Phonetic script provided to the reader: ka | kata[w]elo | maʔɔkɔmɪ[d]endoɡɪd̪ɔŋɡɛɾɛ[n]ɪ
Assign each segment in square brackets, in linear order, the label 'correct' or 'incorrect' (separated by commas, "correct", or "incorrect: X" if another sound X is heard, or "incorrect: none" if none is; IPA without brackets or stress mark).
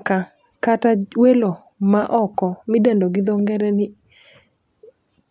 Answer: correct, correct, correct